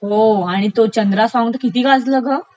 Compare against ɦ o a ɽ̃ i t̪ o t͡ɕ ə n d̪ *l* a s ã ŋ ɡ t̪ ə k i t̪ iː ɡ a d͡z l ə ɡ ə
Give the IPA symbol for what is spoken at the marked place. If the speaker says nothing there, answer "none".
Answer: ɾ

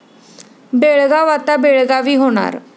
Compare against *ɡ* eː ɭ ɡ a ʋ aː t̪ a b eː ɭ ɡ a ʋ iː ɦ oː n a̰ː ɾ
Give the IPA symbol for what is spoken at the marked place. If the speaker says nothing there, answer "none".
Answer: b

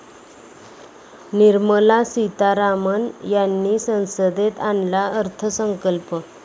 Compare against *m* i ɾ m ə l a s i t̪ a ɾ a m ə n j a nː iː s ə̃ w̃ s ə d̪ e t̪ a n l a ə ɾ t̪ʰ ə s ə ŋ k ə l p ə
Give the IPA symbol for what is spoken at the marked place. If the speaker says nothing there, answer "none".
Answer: n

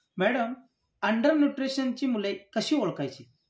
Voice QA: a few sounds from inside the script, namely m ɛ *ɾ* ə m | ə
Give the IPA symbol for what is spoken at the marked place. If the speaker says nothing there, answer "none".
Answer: ɽ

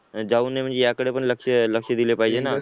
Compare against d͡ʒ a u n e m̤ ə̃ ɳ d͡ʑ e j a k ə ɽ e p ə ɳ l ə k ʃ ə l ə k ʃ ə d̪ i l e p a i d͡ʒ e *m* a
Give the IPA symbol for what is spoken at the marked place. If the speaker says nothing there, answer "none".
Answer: n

